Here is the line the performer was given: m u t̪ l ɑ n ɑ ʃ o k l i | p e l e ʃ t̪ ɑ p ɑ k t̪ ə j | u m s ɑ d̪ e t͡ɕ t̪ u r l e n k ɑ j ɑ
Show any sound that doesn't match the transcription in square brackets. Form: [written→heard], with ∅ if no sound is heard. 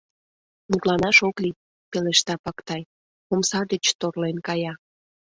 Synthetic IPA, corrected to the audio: m u t̪ l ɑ n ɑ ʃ o k l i | p e l e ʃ t̪ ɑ p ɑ k t̪ [ə→ɑ] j | [u→o] m s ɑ d̪ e t͡ɕ t̪ [u→o] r l e n k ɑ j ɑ